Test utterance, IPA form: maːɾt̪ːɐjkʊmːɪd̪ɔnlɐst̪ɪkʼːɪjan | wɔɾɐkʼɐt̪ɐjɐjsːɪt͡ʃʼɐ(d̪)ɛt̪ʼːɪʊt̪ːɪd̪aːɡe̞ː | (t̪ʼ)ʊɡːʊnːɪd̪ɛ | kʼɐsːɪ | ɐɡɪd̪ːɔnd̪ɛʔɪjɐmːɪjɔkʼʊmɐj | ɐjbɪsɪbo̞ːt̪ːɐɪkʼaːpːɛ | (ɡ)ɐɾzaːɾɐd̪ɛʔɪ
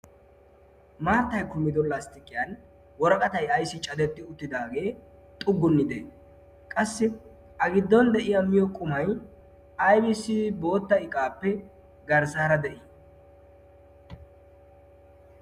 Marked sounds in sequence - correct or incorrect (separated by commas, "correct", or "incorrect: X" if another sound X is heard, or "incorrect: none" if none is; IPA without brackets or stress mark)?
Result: correct, correct, correct